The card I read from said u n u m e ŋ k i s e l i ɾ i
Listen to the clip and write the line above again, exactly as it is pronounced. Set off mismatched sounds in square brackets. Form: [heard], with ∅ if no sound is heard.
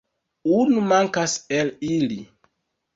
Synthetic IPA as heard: u n u m [a] ŋ k [a] s e l i [l] i